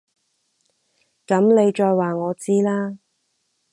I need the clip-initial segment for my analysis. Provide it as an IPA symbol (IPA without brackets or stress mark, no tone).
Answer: k